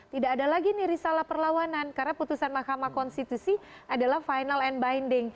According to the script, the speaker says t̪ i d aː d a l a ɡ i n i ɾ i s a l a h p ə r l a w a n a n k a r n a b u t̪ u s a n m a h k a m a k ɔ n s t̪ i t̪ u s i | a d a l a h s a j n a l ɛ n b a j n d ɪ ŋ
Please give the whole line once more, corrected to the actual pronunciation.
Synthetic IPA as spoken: t̪ i d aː d a l a ɡ i n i ɾ i s a l a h p ə r l a w a n a n k a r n a p u t̪ u s a n m a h k a m a k ɔ n s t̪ i t̪ u s i | a d a l a h f a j n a l ɛ n b a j n d ɪ ŋ